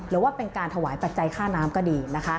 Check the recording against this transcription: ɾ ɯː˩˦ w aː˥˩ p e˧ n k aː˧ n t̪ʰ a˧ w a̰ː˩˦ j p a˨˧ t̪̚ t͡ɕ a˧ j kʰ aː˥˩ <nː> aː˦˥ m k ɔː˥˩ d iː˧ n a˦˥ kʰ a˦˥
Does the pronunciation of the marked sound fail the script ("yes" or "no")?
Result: yes